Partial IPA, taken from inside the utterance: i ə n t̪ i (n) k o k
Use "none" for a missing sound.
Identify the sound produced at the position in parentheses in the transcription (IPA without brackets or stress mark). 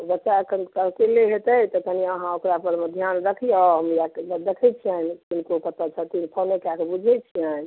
n